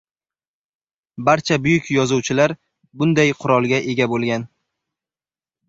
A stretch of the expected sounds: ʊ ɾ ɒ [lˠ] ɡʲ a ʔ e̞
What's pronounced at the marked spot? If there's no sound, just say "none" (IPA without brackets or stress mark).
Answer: lˠ